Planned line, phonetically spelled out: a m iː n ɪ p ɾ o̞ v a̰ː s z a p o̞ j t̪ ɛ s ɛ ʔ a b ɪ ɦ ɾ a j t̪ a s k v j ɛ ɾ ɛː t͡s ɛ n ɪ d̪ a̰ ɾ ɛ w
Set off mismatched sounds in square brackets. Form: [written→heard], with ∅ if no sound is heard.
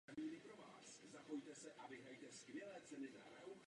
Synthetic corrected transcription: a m iː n ɪ p ɾ o̞ v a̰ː s z a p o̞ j t̪ ɛ s ɛ ʔ a [b→v] ɪ ɦ ɾ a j t̪ [a→ɛ] s k v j ɛ [ɾ→l] ɛː t͡s ɛ n ɪ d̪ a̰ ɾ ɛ w